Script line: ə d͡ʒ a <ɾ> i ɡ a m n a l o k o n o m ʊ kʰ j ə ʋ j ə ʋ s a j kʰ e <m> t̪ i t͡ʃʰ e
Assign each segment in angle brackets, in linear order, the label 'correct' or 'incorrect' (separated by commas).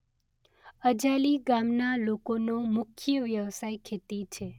incorrect, incorrect